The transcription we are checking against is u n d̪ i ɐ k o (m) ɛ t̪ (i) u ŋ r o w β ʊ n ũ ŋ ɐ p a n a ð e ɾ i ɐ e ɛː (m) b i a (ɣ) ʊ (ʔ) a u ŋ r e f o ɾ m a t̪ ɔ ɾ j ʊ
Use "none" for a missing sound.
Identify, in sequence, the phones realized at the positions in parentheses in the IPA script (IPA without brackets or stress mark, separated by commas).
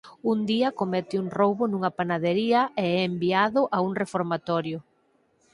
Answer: m, ɪ, m, ð, ʔ